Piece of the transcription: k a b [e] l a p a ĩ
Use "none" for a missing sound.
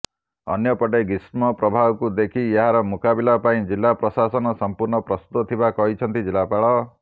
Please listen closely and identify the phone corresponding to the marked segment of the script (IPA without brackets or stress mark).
i